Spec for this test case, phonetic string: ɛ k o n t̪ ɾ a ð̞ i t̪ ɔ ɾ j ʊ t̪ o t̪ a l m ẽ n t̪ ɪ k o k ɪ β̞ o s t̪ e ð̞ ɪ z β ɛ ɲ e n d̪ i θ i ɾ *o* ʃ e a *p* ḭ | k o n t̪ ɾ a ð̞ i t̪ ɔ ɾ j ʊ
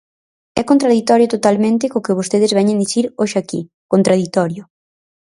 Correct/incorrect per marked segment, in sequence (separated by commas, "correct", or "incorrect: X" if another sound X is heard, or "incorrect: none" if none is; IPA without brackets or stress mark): correct, incorrect: k